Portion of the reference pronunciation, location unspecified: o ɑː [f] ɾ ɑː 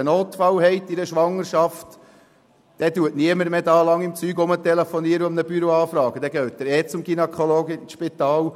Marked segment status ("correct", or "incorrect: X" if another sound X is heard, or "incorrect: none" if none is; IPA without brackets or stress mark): correct